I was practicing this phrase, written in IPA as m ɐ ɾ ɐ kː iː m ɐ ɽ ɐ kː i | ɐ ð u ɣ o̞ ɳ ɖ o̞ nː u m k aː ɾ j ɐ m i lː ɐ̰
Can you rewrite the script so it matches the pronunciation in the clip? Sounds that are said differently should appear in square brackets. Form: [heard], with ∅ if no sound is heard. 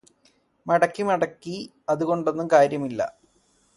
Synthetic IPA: m ɐ [ɽ] ɐ kː [i] m ɐ ɽ ɐ kː i | ɐ ð u ɣ o̞ ɳ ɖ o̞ nː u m k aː ɾ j ɐ m i lː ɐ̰